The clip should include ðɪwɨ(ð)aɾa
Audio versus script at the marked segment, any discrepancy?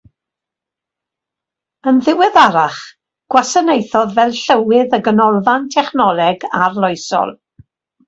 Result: no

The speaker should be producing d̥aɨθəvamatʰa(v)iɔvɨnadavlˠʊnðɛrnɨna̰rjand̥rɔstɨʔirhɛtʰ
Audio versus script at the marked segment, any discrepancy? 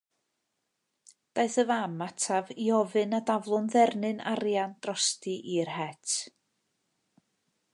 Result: no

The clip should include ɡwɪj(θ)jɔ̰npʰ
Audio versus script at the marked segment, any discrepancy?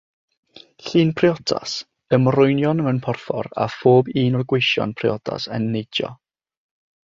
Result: yes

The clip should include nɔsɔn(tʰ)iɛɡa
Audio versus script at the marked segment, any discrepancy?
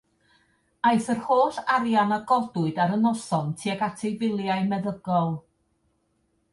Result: no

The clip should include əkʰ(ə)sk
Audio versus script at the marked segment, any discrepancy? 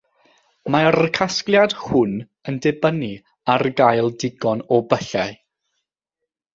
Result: yes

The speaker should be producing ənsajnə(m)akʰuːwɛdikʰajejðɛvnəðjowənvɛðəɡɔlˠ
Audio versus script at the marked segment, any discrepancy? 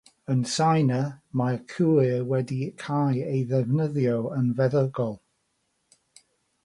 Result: no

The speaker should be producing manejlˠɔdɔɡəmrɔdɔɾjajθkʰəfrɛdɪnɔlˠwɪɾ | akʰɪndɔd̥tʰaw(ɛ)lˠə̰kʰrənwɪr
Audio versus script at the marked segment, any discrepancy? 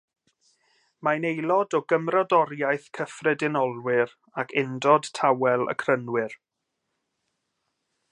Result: no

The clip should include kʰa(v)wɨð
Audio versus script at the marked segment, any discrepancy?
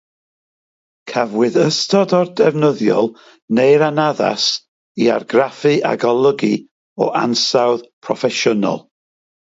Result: no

